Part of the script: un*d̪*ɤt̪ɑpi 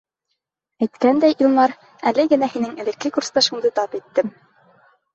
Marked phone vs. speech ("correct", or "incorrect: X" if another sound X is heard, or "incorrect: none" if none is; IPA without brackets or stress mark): correct